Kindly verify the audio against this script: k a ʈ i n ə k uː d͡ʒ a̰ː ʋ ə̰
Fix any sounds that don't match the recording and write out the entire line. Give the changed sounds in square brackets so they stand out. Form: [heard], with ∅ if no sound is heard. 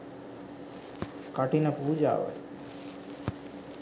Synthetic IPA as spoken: k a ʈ i n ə [p] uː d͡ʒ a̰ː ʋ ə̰